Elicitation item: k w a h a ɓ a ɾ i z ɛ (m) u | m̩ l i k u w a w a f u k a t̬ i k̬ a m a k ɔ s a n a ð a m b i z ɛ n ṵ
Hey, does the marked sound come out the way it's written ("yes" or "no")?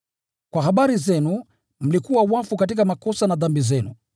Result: no